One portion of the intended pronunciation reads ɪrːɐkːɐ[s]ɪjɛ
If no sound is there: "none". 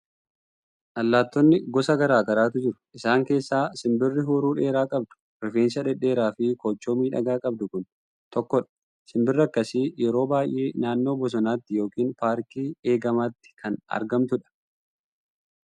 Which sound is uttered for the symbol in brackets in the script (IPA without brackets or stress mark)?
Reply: s